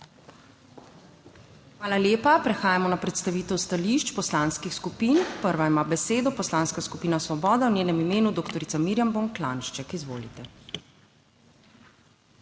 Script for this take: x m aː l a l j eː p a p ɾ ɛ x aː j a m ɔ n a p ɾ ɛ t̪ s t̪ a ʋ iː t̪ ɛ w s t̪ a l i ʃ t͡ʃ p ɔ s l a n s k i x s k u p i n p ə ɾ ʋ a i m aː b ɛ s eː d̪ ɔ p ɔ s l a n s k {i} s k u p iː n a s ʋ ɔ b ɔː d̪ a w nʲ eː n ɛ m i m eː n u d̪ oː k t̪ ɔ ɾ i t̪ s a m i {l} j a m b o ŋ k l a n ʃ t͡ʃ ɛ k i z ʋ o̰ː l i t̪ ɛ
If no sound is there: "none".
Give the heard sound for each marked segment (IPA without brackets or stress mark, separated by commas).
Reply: a, ɾ